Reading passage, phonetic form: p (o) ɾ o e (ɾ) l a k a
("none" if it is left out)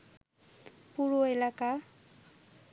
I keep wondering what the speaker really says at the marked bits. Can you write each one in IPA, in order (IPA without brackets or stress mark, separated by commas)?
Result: u, none